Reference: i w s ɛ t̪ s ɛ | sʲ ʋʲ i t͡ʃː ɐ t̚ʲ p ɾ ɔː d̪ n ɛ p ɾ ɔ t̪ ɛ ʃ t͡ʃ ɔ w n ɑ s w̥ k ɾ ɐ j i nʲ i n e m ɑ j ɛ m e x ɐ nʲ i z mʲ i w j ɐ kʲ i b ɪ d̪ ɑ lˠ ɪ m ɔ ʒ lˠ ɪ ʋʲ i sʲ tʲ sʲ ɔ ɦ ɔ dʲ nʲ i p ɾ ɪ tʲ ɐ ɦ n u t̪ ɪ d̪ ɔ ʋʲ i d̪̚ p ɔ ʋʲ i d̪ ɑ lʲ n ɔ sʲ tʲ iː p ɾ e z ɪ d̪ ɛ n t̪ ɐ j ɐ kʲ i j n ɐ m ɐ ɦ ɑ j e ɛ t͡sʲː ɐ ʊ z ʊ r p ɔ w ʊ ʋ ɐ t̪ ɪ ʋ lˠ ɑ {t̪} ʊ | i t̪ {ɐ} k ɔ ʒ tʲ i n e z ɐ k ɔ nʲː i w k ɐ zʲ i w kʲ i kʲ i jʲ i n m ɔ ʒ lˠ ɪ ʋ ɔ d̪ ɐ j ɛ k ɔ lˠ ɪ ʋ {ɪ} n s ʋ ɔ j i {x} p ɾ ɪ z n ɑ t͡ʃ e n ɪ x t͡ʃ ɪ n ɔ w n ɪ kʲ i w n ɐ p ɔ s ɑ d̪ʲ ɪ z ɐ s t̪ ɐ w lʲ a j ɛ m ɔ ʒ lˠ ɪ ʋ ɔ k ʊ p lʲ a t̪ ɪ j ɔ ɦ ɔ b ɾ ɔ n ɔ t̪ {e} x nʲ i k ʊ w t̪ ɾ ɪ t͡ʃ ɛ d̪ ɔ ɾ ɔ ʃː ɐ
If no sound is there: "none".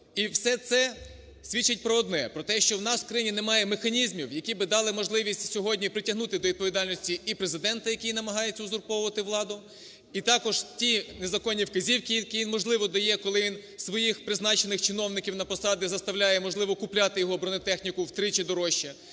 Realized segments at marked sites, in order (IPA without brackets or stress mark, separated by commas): d̪, ɑ, i, x, ɛ